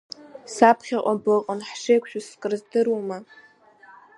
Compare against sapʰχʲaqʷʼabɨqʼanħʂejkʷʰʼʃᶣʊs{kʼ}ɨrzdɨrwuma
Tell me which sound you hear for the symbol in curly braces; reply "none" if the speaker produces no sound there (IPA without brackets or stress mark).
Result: kʼ